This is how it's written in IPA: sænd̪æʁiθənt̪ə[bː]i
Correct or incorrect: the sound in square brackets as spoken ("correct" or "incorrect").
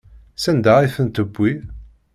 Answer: correct